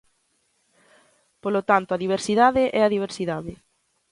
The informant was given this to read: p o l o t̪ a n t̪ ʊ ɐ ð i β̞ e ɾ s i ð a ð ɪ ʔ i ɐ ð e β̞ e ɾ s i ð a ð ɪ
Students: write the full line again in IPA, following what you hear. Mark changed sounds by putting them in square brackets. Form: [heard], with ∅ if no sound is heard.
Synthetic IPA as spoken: p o l o t̪ a n t̪ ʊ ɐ ð i β̞ e ɾ s i ð a ð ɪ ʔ [ɛ] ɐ ð [i] β̞ e ɾ s i ð a ð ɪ